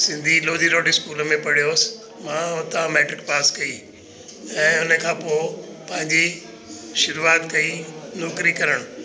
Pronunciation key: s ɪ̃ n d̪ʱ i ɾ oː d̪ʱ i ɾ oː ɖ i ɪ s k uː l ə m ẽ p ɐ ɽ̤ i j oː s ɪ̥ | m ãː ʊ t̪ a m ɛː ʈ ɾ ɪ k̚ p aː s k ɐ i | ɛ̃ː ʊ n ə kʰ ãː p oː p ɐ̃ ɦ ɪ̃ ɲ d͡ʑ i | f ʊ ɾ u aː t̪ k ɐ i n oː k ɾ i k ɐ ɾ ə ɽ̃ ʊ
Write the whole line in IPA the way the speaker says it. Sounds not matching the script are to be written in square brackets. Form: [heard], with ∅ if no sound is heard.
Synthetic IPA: s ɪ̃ n d̪ʱ i [l] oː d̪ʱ i ɾ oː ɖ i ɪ s k uː l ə m ẽ p ɐ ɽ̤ i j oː s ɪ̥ | m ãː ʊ t̪ a m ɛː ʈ ɾ ɪ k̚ p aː s k ɐ i | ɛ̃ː ʊ n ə kʰ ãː p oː p ɐ̃ ɦ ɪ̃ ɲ d͡ʑ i | [ʃ] ʊ ɾ u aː t̪ k ɐ i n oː k ɾ i k ɐ ɾ ə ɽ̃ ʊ

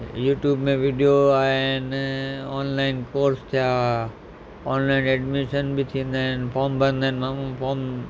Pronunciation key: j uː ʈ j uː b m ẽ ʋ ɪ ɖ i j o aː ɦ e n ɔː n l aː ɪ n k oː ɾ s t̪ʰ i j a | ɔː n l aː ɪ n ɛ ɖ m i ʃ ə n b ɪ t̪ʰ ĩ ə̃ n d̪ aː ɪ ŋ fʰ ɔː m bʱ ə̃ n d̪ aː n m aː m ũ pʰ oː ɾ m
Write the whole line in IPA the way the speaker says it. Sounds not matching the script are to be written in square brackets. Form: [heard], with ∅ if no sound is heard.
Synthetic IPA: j uː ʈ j uː b m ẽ ʋ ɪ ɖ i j o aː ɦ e n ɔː n l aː ɪ n k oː ɾ s t̪ʰ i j a | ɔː n l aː ɪ n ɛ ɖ m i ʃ ə n b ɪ t̪ʰ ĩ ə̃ n d̪ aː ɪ [n] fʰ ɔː m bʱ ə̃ n d̪ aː n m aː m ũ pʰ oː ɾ m

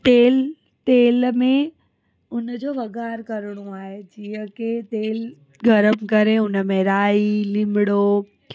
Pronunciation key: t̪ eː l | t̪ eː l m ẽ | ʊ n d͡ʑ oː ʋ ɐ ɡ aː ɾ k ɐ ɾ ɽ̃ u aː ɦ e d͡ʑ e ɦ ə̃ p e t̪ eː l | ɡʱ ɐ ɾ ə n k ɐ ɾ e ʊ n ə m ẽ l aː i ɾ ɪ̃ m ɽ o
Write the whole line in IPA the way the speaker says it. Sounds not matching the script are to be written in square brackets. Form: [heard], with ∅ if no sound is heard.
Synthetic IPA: t̪ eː l | t̪ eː l m ẽ | ʊ n d͡ʑ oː ʋ ɐ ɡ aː ɾ k ɐ ɾ ɽ̃ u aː ɦ e d͡ʑ [i] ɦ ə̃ [k] e t̪ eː l | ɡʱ ɐ ɾ ə [m] k ɐ ɾ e ʊ n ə m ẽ [ɾ] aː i [l] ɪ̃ m ɽ o

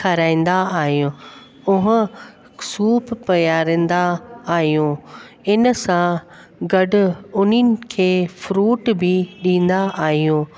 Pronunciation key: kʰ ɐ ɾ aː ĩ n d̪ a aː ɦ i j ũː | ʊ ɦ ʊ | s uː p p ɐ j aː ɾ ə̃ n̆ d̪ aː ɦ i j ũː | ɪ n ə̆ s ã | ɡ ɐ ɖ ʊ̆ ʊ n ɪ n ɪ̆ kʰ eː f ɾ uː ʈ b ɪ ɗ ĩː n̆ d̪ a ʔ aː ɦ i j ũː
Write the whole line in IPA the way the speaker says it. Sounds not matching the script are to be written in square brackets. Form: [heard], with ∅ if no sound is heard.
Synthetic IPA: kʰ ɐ ɾ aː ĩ n d̪ a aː ɦ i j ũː | ʊ ɦ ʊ | s uː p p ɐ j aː ɾ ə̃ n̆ d̪ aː ɦ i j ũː | ɪ n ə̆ s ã | ɡ ɐ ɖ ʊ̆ ʊ n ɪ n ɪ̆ kʰ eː f ɾ uː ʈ b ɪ ɗ ĩː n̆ d̪ a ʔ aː ɦ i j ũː

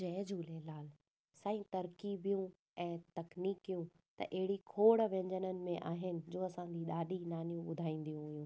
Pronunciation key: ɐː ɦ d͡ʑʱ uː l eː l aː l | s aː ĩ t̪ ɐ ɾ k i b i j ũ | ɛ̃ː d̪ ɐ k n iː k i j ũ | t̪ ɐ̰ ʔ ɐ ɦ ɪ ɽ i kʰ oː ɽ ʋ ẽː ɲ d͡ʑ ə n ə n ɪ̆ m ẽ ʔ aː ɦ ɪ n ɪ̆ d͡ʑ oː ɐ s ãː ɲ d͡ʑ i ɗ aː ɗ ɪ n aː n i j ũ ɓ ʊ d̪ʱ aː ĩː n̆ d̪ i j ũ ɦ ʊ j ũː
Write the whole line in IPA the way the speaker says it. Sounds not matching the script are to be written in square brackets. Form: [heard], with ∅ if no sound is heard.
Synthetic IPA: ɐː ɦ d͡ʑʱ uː l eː l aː l | s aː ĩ t̪ ɐ ɾ k i b i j ũ | ɛ̃ː [t̪] ɐ k n iː k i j ũ | t̪ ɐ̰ ʔ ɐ ɦ ɪ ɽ i kʰ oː ɽ ʋ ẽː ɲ d͡ʑ ə n ə n ɪ̆ m ẽ ʔ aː ɦ ɪ n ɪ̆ d͡ʑ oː ɐ s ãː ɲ d͡ʑ i ɗ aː ɗ [i] n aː n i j ũ ɓ ʊ d̪ʱ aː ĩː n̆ d̪ i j ũ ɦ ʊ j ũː

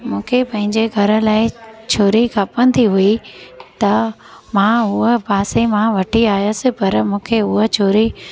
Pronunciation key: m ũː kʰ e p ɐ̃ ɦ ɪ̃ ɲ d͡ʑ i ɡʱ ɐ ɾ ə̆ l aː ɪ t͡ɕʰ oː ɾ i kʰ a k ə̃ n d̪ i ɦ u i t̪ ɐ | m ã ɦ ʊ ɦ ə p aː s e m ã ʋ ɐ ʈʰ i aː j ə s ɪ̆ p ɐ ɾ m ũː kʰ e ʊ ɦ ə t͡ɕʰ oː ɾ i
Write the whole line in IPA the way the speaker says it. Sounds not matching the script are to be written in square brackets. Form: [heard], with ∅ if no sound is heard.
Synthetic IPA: m ũː kʰ e p ɐ̃ ɦ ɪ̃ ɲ d͡ʑ [e] ɡʱ ɐ ɾ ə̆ l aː ɪ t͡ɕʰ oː ɾ i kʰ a [p] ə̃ n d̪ i ɦ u i t̪ ɐ | m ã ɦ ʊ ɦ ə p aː s e m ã ʋ ɐ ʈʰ i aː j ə s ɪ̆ p ɐ ɾ m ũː kʰ e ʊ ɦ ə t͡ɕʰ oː ɾ i

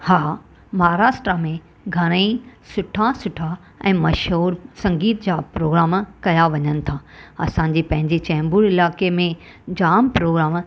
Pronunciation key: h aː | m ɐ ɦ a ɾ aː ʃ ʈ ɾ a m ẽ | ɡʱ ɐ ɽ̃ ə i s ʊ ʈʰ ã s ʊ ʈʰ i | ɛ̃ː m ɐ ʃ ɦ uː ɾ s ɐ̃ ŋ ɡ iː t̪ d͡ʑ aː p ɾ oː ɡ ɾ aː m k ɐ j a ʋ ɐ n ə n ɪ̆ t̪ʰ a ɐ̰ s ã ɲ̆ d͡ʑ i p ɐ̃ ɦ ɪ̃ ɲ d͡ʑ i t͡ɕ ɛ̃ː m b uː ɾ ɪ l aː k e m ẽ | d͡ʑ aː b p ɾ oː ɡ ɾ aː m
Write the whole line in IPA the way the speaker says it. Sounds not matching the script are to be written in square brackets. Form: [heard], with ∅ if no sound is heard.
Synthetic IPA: h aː | m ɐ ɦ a ɾ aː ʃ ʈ ɾ a m ẽ | ɡʱ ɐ ɽ̃ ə i s ʊ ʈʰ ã s ʊ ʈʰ [a] | ɛ̃ː m ɐ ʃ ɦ uː ɾ s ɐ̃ ŋ ɡ iː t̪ d͡ʑ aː p ɾ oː ɡ ɾ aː m k ɐ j a ʋ ɐ [ɲ] ə n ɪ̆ t̪ʰ a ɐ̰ s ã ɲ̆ d͡ʑ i p ɐ̃ ɦ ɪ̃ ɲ d͡ʑ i t͡ɕ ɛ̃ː m b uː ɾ ɪ l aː k e m ẽ | d͡ʑ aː [m] p ɾ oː ɡ ɾ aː m

